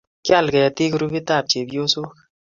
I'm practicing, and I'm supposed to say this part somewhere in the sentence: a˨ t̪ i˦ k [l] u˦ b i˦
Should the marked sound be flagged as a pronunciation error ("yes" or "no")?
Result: yes